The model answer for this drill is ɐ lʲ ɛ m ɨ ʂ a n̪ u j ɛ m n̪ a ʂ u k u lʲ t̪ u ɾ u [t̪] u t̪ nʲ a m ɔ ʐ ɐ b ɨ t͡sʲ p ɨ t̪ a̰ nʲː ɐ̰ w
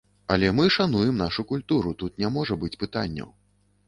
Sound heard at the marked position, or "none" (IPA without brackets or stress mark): t̪